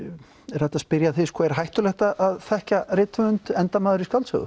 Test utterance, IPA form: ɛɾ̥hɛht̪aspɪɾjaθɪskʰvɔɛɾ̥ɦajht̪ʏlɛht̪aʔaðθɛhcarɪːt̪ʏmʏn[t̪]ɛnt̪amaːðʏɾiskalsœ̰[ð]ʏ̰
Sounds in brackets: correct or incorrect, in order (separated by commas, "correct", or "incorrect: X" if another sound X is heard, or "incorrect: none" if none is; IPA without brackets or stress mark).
correct, incorrect: ɣ